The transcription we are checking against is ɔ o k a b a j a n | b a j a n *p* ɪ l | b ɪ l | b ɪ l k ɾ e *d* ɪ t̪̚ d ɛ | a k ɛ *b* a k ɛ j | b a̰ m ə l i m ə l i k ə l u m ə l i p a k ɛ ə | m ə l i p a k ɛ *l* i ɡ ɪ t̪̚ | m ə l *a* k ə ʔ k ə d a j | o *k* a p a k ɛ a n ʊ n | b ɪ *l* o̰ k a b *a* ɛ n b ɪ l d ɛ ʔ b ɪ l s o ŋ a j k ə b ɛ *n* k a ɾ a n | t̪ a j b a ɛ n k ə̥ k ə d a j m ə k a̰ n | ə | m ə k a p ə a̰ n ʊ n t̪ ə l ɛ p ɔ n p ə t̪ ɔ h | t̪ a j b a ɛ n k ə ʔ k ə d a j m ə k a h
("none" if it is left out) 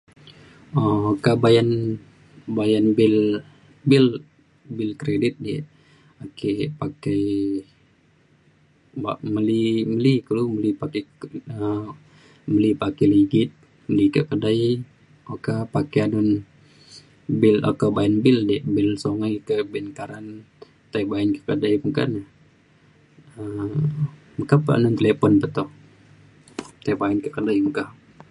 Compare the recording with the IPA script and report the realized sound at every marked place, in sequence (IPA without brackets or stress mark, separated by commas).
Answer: b, d, p, l, i, k, l, a, n